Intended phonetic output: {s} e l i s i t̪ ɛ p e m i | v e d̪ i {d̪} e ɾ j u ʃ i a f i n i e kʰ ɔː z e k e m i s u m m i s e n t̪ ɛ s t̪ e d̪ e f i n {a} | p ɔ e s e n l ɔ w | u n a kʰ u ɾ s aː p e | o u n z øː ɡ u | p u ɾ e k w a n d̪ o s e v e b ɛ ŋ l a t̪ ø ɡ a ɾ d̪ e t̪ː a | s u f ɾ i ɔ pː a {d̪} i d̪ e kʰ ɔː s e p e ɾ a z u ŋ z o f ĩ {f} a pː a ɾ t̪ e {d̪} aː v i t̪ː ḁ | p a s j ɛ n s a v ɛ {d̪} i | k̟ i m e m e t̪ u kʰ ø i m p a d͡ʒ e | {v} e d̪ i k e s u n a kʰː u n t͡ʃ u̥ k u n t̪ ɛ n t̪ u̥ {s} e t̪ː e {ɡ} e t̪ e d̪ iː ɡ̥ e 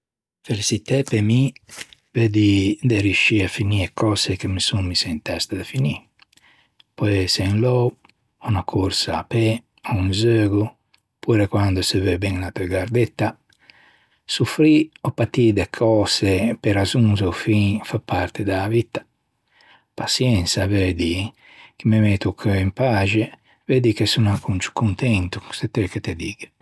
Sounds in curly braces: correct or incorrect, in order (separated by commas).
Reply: incorrect, correct, incorrect, incorrect, correct, correct, correct, correct, correct, incorrect